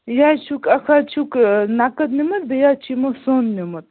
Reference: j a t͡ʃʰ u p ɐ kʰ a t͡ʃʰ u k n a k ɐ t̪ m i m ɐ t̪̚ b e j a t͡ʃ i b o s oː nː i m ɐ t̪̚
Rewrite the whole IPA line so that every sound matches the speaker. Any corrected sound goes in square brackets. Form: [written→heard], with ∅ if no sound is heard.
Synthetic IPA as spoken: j a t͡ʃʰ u [p→k] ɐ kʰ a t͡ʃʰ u k n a k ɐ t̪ [m→n] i m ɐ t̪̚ b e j a t͡ʃ i [b→m] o s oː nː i m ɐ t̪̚

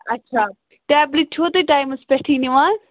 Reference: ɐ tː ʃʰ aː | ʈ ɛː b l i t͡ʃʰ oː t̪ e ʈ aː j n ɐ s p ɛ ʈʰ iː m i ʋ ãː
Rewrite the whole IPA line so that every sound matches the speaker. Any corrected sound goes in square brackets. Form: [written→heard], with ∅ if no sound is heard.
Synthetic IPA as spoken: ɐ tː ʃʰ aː | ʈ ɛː b l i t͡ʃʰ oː t̪ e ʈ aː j [n→m] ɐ s p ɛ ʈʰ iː [m→n] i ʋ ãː

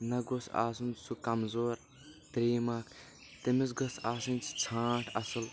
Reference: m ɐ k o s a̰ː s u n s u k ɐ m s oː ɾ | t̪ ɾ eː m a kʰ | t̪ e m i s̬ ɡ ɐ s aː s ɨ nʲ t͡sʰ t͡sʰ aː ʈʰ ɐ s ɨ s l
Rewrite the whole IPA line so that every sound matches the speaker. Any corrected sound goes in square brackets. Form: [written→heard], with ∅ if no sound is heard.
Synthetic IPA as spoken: [m→n] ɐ [k→ɡ] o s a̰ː s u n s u k ɐ m [s→z] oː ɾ | t̪ ɾ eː m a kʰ | t̪ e m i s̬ ɡ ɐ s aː s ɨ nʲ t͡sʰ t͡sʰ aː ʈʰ ɐ s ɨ [s→∅] l

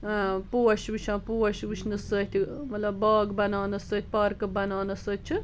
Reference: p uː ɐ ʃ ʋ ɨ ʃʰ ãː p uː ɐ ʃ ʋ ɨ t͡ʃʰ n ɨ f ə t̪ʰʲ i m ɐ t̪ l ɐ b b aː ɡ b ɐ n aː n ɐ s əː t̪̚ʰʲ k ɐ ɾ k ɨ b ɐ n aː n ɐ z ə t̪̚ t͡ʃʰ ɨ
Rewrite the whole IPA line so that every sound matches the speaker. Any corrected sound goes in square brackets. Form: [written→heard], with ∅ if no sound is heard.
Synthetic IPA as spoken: p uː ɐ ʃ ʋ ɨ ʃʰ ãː p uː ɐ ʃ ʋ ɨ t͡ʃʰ n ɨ [f→s] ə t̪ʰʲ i m ɐ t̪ l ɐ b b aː ɡ b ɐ n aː n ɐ s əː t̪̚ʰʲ [k→p] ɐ ɾ k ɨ b ɐ n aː n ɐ [z→s] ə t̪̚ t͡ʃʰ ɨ

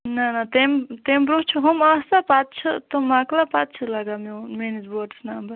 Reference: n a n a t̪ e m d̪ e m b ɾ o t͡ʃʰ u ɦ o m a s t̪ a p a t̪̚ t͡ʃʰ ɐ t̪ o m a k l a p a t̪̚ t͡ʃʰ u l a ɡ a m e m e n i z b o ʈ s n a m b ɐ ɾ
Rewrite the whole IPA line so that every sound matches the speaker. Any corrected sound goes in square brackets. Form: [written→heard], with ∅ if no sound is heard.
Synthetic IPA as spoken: n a n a t̪ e m [d̪→t̪] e m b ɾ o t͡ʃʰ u ɦ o m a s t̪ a p a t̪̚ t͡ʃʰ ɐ t̪ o m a k l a p a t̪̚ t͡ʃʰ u l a ɡ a m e m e n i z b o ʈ s n a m b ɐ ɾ

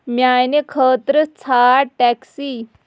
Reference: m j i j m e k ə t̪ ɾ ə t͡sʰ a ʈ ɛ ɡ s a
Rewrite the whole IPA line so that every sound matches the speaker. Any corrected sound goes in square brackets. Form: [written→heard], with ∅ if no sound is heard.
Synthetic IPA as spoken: m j [i→a] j [m→n] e [k→kʰ] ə t̪ ɾ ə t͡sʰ a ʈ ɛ [ɡ→k] s [a→i]

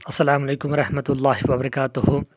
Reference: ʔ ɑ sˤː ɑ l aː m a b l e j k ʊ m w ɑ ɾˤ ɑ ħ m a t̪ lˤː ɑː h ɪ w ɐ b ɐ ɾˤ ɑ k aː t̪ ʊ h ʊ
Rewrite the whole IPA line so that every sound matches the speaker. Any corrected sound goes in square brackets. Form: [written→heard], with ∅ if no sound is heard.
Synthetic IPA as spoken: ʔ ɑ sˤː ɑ l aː m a [b→∅] l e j k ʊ m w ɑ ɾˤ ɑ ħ m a t̪ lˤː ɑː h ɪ w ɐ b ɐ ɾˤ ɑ k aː t̪ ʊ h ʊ

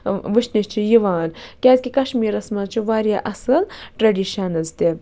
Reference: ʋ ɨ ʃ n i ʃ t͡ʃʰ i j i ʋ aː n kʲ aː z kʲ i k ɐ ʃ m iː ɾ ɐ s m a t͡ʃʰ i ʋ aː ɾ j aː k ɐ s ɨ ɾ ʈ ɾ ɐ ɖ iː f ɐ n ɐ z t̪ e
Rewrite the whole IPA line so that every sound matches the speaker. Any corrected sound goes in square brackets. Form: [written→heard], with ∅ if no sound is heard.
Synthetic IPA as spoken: ʋ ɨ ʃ n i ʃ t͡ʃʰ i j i ʋ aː n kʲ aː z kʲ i k ɐ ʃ m iː ɾ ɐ s m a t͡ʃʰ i ʋ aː ɾ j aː [k→ʔ] ɐ s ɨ [ɾ→l] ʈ ɾ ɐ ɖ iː [f→ʃ] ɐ n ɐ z t̪ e

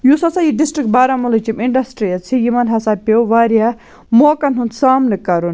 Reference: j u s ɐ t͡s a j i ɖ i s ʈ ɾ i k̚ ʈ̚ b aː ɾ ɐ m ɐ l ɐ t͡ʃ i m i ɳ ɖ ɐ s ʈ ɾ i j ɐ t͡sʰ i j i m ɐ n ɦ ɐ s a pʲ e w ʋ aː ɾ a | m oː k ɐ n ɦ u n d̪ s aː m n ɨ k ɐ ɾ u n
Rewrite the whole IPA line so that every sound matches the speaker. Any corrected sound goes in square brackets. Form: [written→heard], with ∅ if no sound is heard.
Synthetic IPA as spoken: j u s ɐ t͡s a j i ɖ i s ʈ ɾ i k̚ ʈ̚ b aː ɾ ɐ m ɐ l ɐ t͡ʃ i m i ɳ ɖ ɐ s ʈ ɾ i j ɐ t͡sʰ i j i m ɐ n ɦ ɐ s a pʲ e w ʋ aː ɾ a | m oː k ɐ n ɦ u n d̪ s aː m n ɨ k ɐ ɾ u n

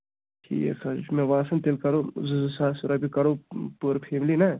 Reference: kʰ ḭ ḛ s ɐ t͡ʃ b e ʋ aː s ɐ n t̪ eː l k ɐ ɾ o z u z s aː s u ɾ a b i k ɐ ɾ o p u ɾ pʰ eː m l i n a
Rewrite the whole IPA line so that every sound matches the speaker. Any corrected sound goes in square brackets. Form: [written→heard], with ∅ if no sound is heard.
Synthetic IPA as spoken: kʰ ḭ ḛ s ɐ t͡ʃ [b→m] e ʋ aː s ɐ n t̪ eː l k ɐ ɾ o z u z s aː s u ɾ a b i k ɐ ɾ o p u ɾ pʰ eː m l i n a

